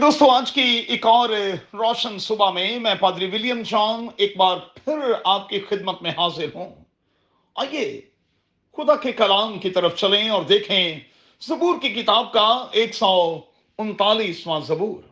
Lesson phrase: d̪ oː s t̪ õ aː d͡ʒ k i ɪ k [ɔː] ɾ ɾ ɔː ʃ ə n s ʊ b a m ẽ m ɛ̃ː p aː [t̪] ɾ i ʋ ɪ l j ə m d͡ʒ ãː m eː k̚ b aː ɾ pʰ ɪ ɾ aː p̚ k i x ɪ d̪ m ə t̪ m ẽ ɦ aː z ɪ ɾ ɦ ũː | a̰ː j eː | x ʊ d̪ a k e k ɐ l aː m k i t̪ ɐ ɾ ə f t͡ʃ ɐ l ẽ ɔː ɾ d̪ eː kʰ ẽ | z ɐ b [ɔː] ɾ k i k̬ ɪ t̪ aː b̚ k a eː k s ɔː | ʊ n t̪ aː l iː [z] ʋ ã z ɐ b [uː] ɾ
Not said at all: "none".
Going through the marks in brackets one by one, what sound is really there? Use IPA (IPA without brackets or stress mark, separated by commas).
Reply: ɔː, d̪, uː, s, uː